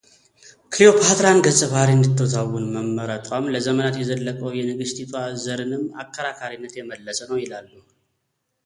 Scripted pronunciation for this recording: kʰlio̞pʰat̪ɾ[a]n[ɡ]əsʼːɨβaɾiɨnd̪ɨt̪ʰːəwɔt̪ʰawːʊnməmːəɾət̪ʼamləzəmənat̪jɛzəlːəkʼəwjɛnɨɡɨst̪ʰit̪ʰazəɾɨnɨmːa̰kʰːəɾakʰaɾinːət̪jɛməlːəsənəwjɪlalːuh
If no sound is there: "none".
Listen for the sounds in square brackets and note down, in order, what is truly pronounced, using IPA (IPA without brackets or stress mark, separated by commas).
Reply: a, ɡ